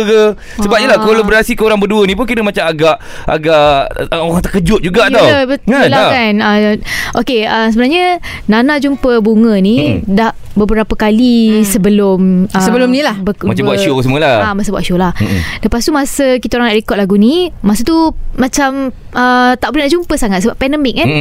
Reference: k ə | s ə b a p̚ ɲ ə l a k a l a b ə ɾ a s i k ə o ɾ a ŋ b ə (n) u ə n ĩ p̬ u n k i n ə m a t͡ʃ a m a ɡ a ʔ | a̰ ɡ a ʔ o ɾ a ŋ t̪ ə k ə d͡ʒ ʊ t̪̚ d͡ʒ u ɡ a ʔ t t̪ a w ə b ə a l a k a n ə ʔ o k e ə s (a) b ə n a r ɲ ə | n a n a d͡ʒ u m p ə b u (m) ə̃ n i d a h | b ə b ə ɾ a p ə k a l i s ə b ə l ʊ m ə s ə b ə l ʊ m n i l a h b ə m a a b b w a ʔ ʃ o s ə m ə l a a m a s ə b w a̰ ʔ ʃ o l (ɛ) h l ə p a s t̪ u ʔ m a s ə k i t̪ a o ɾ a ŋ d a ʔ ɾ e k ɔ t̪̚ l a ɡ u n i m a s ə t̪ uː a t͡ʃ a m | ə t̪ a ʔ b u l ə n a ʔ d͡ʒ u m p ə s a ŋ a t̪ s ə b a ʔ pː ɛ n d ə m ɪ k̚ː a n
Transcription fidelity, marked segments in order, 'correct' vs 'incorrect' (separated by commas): incorrect, incorrect, incorrect, incorrect